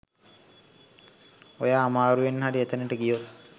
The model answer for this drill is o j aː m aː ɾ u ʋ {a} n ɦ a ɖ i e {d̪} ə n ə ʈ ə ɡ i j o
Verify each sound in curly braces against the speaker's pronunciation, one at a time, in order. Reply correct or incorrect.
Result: incorrect: e, incorrect: t̪

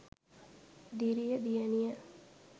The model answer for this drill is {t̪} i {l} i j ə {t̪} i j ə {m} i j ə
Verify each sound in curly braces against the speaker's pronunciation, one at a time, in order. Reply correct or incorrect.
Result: incorrect: d̪, incorrect: ɾ, incorrect: d̪, incorrect: n

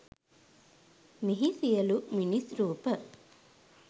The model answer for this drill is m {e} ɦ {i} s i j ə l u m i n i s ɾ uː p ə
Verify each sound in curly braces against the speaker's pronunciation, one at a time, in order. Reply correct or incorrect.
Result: incorrect: i, correct

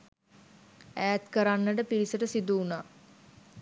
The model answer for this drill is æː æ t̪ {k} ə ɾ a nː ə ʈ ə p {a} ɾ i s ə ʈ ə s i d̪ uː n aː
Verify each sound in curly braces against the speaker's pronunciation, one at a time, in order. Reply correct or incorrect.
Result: correct, incorrect: i

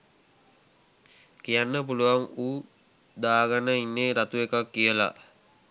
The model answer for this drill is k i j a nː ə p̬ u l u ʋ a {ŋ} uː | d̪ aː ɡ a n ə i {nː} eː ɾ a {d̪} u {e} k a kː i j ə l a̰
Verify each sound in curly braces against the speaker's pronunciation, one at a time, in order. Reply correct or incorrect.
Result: correct, correct, incorrect: t̪, correct

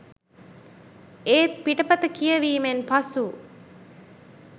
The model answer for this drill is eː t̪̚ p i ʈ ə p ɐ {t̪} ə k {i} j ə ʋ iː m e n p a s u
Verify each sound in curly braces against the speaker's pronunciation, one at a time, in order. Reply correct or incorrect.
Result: correct, correct

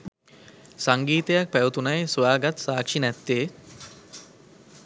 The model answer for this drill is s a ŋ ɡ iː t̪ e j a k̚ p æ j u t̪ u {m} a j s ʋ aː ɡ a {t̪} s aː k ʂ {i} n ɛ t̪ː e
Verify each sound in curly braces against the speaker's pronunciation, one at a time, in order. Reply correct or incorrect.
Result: incorrect: n, correct, correct

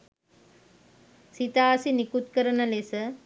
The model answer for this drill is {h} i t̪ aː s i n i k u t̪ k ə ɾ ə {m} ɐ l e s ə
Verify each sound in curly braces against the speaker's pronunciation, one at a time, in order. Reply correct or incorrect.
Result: incorrect: s, incorrect: n

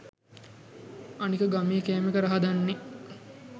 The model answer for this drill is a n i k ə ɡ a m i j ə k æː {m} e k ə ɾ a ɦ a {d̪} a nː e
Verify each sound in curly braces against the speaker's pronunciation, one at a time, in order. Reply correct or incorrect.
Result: correct, correct

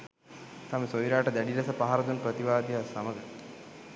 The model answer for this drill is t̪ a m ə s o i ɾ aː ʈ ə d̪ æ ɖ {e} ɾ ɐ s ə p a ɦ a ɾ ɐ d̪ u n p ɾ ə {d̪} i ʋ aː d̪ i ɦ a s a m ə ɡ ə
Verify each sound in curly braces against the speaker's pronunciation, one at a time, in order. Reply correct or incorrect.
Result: incorrect: i, incorrect: t̪

